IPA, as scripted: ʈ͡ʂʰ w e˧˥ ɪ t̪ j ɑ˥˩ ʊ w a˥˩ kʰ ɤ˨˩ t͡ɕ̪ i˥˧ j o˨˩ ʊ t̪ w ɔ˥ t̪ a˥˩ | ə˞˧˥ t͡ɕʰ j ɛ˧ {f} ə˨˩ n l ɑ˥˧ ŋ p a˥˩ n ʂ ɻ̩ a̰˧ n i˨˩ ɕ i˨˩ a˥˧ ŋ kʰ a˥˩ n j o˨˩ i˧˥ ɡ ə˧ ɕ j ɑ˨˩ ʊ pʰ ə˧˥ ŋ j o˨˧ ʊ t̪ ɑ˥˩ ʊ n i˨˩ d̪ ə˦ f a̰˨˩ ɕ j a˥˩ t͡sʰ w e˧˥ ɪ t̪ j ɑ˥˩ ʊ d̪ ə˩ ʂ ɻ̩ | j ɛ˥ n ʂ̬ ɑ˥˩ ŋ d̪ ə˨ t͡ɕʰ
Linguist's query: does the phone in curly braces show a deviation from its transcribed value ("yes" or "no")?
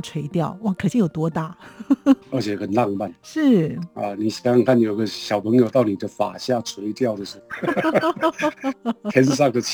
yes